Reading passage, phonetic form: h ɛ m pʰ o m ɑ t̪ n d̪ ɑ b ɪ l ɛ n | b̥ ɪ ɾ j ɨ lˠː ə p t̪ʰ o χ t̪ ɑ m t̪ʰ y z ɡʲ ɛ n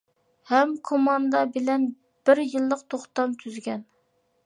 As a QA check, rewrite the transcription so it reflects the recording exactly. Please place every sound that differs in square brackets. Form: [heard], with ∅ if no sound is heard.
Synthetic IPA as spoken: h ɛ m [kʰ] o m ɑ [∅] n d̪ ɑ b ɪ l ɛ n | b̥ ɪ ɾ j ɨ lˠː ə [q] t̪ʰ o χ t̪ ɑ m t̪ʰ y z ɡʲ ɛ n